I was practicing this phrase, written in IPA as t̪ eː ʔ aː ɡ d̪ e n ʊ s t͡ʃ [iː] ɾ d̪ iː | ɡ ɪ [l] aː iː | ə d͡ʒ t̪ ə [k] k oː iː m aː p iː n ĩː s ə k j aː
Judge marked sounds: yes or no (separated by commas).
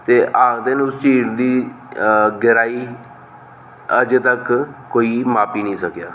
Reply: yes, no, yes